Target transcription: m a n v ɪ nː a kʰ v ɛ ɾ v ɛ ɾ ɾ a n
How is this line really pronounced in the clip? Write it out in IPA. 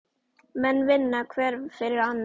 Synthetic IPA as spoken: m ɛ n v ɪ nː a kʰ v ɛ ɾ f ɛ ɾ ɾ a n